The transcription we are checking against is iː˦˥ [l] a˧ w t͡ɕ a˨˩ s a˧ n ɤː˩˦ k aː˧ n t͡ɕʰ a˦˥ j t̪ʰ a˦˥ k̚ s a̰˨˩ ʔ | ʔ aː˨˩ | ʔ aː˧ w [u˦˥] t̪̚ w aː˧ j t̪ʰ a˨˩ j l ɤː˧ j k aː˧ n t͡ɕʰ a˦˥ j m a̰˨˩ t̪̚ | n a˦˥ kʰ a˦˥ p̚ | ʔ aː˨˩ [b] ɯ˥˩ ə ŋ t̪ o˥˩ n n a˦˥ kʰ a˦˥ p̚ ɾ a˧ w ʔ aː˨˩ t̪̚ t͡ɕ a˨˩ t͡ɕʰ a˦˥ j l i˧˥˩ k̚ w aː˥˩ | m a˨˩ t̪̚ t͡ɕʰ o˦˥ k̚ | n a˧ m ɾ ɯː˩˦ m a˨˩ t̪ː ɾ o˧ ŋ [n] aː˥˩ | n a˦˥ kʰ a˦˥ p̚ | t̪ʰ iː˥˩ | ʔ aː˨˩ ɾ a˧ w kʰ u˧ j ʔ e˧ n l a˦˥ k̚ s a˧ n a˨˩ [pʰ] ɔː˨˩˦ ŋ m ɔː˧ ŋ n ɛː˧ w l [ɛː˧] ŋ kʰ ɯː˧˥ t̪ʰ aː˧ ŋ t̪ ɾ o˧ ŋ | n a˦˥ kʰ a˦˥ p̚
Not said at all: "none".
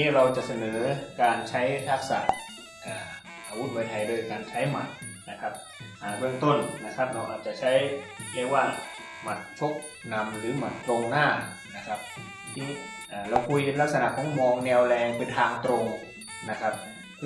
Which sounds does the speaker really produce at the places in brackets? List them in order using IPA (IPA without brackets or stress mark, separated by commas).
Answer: ɾ, u˦˥, b, n, kʰ, ɛː˧